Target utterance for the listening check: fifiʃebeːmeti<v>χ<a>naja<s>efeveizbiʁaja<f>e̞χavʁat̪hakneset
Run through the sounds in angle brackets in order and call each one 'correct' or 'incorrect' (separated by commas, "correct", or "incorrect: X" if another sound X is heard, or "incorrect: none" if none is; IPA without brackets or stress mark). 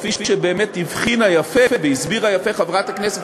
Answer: correct, incorrect: i, incorrect: f, correct